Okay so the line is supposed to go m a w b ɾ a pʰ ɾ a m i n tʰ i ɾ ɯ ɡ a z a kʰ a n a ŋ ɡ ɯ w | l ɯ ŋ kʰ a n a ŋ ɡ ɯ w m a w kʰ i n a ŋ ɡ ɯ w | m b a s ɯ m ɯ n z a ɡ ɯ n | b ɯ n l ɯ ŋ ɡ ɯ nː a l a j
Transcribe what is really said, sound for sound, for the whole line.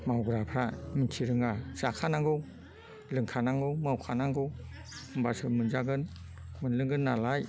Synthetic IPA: m a w ɡ ɾ a pʰ ɾ a m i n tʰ i ɾ ɯ ŋ a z a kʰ a n a ŋ ɡ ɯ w | l ɯ ŋ kʰ a n a ŋ ɡ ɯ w m a w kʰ a n a ŋ ɡ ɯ w | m b a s ɯ m ɯ n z a ɡ ɯ n | m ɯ n l ɯ ŋ ɡ ɯ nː a l a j